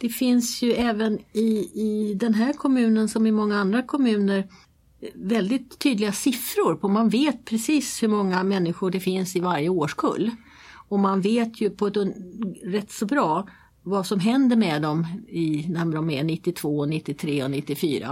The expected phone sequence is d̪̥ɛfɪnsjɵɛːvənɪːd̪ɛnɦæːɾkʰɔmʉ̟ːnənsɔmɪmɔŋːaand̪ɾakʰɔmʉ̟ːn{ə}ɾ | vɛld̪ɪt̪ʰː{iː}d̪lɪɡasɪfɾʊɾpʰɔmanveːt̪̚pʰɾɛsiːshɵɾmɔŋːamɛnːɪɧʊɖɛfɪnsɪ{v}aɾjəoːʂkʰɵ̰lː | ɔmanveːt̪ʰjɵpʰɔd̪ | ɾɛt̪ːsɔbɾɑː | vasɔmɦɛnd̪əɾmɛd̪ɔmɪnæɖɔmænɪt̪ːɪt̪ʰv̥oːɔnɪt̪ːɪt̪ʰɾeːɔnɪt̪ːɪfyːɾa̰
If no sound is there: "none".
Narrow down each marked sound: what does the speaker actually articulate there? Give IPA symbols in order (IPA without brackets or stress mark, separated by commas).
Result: ə, yː, v